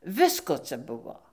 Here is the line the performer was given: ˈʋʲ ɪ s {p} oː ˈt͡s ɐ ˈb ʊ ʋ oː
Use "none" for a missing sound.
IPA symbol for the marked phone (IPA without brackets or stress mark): k